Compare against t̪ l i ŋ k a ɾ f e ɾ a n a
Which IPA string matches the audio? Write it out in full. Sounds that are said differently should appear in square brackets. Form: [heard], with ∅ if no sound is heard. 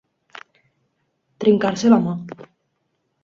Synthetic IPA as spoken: t̪ [ɾ] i ŋ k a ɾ [s] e [l] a [m] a